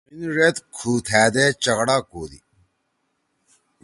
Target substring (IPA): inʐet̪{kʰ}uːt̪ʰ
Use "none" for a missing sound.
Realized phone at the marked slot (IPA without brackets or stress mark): kʰ